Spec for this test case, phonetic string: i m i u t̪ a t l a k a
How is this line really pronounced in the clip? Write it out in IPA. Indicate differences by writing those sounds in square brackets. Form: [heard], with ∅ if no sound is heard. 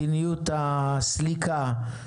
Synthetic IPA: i [n] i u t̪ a [s] l [i] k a